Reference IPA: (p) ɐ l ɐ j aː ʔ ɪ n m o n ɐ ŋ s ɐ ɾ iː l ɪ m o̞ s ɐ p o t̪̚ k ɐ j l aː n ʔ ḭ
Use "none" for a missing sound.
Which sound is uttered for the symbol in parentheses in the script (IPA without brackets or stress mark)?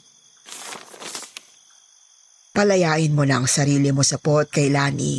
p